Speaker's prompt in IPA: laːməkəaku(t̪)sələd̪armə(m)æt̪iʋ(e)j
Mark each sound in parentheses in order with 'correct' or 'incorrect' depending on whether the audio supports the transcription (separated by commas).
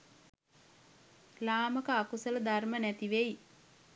incorrect, incorrect, correct